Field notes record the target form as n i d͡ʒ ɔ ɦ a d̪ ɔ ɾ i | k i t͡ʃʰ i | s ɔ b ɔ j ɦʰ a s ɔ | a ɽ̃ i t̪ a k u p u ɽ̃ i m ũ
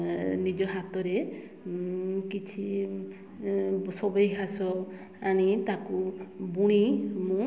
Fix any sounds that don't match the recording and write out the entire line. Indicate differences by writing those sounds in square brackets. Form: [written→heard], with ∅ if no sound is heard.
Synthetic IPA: n i d͡ʒ ɔ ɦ a [d̪→t̪] ɔ ɾ [i→e] | k i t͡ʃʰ i | s ɔ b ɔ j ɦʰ a s ɔ | a ɽ̃ i t̪ a k u [p→b] u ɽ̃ i m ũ